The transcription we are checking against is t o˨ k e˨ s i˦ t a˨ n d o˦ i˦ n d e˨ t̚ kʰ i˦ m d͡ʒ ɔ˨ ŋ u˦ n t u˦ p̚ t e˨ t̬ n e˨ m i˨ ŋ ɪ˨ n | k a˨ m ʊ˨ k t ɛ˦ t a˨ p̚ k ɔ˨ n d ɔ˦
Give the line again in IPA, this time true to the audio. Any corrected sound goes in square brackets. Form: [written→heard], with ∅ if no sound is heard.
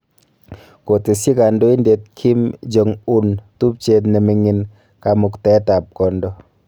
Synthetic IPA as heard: [t→k] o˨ [k→t] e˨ s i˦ [t→k] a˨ n d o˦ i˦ n d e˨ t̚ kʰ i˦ m d͡ʒ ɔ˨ ŋ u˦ n t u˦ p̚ [t→t͡ʃ] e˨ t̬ n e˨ m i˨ ŋ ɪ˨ n | k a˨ m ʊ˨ k t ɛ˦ t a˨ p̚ k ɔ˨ n d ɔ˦